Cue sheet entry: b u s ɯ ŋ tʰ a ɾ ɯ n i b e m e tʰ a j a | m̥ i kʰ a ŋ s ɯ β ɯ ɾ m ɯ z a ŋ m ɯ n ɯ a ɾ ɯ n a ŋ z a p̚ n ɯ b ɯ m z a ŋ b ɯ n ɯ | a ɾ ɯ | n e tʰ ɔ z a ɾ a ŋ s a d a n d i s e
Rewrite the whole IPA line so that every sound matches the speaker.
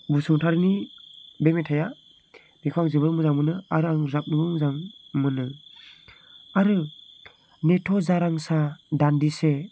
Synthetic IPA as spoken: b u s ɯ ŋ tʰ a ɾ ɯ n i b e m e tʰ a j a | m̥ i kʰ a ŋ z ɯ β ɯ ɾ m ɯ z a ŋ m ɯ n ɯ a ɾ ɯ a ŋ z a p̚ n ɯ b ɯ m z a ŋ m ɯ n ɯ | a ɾ ɯ | n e tʰ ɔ z a ɾ a ŋ s a d a n d i s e